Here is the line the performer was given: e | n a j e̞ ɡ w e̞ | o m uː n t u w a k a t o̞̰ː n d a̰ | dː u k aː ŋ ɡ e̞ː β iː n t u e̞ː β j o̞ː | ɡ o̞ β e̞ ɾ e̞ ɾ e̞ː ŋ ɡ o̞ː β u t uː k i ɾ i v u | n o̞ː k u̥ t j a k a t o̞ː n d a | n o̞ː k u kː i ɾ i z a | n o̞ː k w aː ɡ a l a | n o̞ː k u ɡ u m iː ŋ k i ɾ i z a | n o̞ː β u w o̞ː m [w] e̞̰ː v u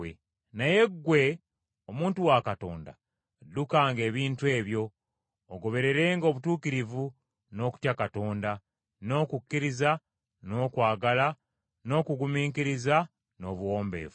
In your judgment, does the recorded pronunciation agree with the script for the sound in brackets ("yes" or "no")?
no